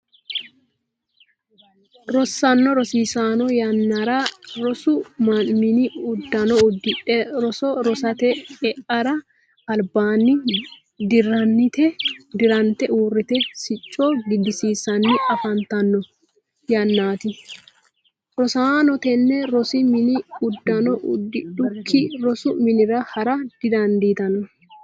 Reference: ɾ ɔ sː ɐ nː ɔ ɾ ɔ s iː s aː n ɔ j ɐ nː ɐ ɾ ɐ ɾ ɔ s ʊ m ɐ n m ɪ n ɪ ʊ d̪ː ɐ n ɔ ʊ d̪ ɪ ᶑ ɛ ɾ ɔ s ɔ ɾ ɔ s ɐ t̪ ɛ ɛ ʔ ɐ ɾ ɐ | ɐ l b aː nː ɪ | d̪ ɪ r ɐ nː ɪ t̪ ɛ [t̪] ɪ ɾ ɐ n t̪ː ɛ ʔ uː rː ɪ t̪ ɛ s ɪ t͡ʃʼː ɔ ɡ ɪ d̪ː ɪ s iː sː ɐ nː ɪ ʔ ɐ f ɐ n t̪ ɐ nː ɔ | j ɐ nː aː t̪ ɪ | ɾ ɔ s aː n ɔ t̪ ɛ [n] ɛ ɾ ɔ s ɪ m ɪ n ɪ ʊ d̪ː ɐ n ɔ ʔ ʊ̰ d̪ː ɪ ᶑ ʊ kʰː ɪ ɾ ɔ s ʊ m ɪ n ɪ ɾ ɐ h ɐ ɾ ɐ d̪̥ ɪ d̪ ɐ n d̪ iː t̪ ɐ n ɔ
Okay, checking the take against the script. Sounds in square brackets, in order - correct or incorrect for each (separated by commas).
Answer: incorrect, incorrect